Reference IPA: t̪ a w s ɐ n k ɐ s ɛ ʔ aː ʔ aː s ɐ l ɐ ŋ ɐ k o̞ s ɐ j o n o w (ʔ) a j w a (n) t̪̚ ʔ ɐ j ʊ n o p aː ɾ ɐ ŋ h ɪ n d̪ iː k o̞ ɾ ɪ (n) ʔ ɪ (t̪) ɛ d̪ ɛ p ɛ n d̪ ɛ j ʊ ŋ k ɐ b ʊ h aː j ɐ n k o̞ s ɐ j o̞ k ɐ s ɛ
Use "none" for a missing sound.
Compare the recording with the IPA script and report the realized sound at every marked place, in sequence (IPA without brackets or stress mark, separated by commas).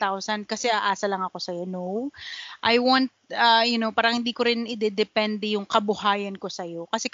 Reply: ʔ, n, n, d̪